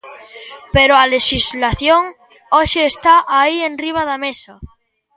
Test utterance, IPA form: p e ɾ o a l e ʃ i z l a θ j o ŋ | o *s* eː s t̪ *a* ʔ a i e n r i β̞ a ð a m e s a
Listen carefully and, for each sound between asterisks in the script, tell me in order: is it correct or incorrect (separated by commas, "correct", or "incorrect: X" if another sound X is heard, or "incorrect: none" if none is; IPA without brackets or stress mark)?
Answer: incorrect: ʃ, correct